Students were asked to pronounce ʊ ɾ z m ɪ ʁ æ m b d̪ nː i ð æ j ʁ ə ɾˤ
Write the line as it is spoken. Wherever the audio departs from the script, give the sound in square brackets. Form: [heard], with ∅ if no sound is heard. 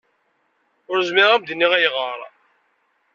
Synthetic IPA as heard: ʊ ɾ z m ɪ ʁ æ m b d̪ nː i [ʁ] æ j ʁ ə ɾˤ